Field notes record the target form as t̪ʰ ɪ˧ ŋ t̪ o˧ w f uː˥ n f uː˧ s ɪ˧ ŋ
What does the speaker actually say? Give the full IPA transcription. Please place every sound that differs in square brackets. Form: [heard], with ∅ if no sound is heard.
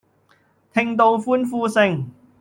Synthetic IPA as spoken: t̪ʰ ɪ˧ ŋ t̪ o˧ w f uː˥ n f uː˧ s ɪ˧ ŋ